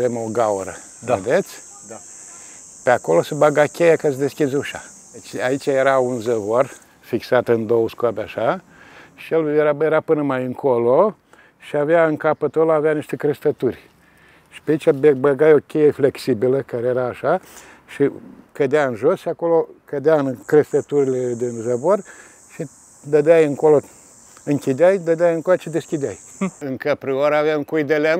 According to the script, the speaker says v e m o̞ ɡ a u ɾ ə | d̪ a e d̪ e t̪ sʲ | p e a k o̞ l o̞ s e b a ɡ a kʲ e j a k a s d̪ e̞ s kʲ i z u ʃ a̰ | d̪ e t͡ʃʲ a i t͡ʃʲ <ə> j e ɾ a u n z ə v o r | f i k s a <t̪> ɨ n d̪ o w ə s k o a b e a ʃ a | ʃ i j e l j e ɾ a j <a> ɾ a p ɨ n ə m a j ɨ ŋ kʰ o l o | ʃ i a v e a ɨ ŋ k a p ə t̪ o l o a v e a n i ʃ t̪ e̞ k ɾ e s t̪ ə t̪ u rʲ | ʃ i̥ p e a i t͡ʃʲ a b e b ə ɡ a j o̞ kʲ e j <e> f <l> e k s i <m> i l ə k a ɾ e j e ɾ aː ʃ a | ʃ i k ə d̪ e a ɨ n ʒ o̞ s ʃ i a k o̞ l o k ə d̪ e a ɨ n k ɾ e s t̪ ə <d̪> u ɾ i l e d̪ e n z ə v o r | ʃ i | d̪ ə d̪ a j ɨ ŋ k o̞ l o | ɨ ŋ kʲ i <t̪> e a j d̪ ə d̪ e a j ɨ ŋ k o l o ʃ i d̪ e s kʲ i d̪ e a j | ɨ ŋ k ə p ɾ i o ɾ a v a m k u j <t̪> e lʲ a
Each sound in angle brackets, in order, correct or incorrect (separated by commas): incorrect, correct, incorrect, correct, correct, incorrect, incorrect, incorrect, incorrect